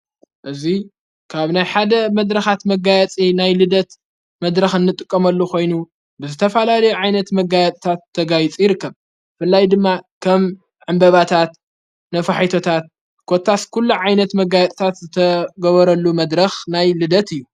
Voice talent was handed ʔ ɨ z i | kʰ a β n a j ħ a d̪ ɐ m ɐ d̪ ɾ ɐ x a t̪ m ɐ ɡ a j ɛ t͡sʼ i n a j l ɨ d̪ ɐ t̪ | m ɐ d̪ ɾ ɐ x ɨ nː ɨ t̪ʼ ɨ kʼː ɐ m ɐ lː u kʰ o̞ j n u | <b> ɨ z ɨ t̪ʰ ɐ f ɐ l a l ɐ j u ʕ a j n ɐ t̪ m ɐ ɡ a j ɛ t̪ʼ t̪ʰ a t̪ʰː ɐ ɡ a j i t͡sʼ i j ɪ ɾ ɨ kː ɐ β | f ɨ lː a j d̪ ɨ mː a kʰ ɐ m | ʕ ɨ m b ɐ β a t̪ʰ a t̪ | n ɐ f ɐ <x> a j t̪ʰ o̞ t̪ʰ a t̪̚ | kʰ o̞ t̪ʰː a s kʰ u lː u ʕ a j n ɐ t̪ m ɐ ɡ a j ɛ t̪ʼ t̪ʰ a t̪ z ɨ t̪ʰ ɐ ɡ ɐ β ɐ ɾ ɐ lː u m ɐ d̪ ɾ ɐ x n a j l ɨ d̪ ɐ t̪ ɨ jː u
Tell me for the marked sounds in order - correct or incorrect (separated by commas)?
correct, incorrect